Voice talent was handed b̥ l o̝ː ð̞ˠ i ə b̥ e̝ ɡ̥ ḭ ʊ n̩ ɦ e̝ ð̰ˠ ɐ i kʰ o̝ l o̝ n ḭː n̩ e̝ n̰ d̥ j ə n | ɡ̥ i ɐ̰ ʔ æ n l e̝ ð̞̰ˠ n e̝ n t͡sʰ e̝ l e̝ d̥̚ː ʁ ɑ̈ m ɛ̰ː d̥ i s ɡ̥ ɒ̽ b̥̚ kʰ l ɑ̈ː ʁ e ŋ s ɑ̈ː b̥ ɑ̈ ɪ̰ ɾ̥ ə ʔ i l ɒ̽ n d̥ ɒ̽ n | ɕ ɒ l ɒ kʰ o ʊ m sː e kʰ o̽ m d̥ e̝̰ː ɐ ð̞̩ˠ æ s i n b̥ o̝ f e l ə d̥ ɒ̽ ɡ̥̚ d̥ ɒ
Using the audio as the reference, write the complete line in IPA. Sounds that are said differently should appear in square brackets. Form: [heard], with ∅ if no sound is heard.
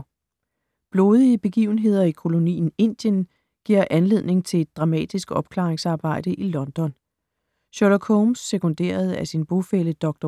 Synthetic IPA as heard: b̥ l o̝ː ð̞ˠ i ə b̥ e̝ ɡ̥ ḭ ʊ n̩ ɦ e̝ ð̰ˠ ɐ i kʰ o̝ l o̝ n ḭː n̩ e̝ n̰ d̥ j ə n | ɡ̥ i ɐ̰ ʔ æ n l e̝ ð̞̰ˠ n e̝ [ŋ] t͡sʰ e̝ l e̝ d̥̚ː ʁ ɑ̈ m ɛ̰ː d̥ i s ɡ̥ ɒ̽ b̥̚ kʰ l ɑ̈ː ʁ e ŋ s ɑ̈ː b̥ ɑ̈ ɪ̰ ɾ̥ ə ʔ i l ɒ̽ n d̥ ɒ̽ n | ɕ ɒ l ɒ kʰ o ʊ m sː e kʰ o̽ [n] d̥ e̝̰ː ɐ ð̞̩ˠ æ s i n b̥ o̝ f e l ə d̥ ɒ̽ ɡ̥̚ d̥ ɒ